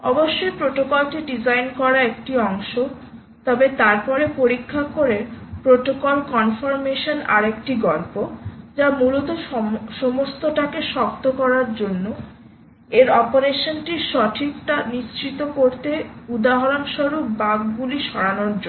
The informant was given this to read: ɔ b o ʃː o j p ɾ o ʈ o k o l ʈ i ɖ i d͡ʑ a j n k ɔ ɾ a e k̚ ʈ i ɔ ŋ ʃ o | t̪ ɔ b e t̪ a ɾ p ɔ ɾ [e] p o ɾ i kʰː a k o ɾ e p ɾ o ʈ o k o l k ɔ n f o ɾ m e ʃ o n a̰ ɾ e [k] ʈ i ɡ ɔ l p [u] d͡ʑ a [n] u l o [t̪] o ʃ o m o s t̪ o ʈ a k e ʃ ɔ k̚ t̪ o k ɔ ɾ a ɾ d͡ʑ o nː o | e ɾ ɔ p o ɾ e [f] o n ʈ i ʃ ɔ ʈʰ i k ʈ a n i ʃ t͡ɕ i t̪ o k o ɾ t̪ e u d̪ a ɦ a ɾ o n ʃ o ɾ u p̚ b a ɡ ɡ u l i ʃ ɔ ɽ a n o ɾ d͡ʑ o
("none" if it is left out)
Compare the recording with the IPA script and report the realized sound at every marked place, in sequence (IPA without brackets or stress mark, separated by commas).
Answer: e, k, o, m, t̪, ʃ